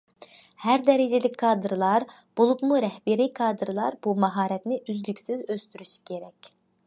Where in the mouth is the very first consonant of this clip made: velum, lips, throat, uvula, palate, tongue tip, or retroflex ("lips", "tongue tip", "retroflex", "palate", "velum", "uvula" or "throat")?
throat